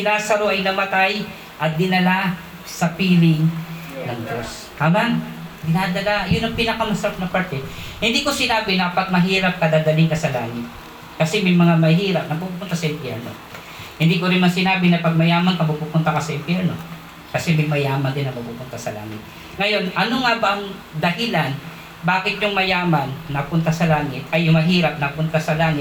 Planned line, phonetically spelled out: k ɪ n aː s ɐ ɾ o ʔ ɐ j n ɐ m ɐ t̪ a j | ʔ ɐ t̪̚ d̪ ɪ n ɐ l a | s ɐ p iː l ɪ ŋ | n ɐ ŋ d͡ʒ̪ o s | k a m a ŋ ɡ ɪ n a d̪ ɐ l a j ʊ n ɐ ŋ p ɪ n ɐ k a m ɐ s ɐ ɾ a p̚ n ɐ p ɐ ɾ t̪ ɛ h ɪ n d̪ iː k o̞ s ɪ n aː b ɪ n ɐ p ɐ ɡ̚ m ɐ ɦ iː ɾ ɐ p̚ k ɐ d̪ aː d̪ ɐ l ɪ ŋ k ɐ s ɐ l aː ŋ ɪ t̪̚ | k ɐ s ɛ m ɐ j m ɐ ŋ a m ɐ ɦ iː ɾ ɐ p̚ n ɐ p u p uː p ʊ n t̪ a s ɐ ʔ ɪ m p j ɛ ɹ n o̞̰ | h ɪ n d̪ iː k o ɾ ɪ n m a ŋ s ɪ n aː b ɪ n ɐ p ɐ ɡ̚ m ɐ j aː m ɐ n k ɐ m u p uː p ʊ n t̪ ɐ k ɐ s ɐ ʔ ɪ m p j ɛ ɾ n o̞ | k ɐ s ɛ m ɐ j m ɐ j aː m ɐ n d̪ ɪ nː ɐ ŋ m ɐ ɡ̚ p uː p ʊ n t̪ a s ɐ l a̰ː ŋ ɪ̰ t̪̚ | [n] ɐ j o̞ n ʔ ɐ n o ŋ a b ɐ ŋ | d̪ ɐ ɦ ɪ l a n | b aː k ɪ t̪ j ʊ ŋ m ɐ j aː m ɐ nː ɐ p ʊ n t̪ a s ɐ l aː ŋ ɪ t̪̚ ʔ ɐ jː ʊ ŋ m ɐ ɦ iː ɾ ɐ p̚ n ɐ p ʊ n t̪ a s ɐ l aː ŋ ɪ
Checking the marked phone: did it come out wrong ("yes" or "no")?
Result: yes